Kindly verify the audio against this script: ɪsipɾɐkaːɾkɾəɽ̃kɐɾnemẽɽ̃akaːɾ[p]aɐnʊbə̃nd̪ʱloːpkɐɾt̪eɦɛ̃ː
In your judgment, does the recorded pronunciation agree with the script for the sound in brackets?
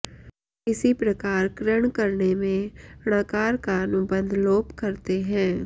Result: no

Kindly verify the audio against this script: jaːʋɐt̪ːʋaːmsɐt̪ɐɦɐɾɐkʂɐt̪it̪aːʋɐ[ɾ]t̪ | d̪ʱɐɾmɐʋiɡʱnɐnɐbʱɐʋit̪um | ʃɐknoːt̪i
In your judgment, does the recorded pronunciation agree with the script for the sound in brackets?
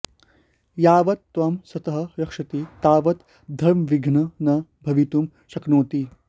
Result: no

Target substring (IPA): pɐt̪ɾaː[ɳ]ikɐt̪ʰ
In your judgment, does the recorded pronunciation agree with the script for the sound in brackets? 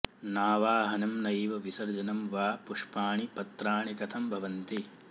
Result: yes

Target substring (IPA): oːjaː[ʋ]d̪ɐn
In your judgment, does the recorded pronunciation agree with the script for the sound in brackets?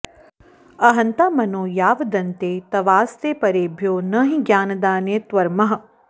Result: yes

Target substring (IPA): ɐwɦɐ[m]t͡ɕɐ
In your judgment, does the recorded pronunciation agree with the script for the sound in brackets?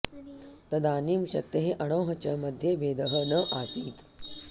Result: no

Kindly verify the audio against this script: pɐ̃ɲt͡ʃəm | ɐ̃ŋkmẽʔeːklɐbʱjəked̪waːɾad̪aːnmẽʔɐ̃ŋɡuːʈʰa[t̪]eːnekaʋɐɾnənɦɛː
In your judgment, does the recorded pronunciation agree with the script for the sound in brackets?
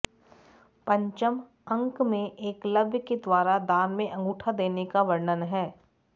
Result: no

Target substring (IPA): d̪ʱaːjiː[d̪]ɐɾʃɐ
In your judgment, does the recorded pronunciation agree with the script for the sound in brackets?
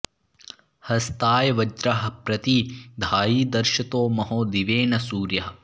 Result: yes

